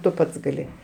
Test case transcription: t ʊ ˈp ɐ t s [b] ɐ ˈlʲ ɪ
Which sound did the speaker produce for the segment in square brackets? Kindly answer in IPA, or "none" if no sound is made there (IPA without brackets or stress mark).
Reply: ɡ